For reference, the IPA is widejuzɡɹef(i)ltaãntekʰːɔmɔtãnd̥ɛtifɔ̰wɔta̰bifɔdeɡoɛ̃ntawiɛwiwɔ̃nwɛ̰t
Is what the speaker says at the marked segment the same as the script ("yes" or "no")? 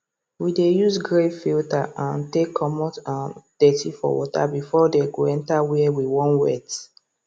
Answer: yes